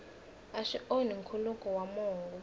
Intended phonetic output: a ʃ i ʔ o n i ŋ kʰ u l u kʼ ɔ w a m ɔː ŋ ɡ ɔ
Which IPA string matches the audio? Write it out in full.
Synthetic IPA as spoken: a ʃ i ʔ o n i ŋ kʰ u l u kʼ ɔ w a m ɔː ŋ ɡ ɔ

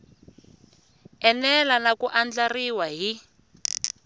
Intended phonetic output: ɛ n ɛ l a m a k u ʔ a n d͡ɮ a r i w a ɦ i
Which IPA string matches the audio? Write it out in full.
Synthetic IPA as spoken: ɛ n ɛ l a n a k u ʔ a n d͡ɮ a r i w a ɦ i

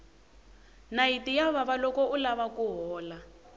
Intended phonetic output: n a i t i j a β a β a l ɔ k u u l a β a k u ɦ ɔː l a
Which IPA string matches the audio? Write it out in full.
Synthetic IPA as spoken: n a i t i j a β a β a l ɔ k ɔ u l a β a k u ɦ ɔː l a

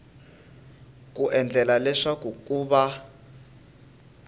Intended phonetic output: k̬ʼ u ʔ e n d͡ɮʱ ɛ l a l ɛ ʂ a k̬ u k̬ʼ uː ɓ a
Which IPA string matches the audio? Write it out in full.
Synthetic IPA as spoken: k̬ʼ u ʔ ɛ n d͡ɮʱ ɛ l a l ɛ ʂ a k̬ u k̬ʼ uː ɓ a

